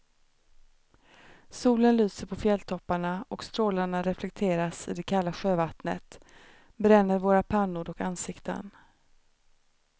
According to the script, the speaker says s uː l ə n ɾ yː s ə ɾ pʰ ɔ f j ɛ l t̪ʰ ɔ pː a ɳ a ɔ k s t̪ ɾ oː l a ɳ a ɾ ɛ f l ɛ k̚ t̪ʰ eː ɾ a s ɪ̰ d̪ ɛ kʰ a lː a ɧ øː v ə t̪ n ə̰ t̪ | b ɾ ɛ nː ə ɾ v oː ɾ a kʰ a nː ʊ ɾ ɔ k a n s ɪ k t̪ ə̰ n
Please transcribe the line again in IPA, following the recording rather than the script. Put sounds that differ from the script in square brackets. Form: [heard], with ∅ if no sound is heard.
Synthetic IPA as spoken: s uː l ə n [l] yː s ə ɾ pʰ ɔ f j ɛ l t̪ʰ ɔ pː a ɳ a ɔ k s t̪ ɾ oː l a ɳ a ɾ ɛ f l ɛ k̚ t̪ʰ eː ɾ a s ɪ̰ d̪ ɛ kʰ a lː a ɧ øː v [a] t̪ n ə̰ t̪ | b ɾ ɛ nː ə ɾ v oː ɾ a [pʰ] a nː ʊ ɾ ɔ k a n s ɪ k t̪ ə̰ n